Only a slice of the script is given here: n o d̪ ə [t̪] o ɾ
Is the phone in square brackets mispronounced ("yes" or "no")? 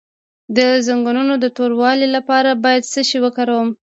no